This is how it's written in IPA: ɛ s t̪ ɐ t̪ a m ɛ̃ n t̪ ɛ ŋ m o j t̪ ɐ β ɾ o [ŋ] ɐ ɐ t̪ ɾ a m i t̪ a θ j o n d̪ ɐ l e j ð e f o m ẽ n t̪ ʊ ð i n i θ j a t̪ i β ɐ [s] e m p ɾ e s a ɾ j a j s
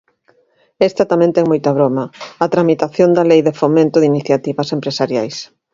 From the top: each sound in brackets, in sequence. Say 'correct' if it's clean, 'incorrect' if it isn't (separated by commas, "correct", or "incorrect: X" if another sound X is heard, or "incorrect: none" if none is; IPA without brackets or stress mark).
incorrect: m, correct